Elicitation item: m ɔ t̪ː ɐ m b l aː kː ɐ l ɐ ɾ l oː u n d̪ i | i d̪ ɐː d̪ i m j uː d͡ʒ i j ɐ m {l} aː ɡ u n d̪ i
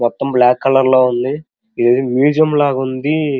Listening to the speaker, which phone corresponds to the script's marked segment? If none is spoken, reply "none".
l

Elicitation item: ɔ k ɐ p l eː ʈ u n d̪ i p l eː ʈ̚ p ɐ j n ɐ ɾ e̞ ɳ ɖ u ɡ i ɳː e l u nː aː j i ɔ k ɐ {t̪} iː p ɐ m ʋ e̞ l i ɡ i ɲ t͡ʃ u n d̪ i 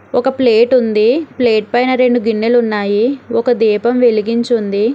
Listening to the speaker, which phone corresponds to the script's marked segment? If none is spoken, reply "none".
d̪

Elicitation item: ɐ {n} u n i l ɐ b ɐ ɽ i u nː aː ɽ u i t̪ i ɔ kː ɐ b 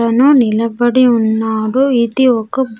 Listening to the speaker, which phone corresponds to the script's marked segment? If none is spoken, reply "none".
n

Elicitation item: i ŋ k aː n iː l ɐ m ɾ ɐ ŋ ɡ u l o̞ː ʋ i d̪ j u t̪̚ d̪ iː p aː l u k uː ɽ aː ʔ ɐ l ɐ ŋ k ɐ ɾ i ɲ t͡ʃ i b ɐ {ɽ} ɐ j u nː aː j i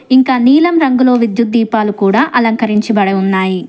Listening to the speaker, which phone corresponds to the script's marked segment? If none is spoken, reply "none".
ɽ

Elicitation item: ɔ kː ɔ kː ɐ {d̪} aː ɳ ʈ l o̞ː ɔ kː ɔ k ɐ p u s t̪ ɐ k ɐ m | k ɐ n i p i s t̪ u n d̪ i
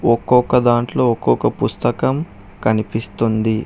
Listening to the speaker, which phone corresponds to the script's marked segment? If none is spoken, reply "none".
d̪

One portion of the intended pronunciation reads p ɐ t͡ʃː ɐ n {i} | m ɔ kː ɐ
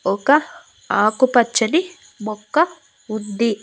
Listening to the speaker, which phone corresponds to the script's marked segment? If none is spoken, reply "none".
i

